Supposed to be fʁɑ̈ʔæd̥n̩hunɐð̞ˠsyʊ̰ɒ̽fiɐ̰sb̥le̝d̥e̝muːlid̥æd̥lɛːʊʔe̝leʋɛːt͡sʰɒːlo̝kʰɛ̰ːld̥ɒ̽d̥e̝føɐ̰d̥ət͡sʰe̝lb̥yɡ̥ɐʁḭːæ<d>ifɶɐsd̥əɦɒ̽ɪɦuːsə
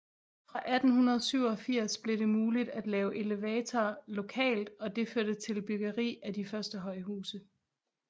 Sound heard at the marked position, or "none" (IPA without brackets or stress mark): d